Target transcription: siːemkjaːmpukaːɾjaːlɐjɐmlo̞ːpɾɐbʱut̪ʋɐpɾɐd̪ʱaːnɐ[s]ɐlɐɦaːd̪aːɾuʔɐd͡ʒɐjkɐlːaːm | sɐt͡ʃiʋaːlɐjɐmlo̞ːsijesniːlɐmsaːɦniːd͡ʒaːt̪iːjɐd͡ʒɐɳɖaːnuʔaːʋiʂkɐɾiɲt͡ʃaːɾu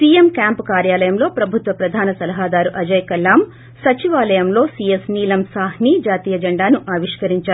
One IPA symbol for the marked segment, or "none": s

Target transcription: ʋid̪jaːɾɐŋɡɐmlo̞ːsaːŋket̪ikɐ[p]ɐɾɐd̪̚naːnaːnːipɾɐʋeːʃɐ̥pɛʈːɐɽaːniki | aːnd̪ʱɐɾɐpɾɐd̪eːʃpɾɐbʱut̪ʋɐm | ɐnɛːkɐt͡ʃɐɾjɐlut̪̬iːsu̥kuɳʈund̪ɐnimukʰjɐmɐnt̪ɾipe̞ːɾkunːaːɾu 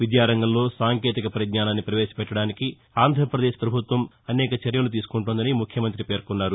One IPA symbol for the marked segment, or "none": p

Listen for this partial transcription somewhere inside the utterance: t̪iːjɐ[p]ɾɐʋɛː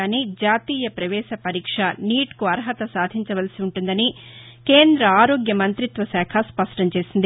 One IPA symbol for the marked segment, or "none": p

